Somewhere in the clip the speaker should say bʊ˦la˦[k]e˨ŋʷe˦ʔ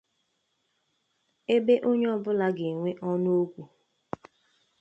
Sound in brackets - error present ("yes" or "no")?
yes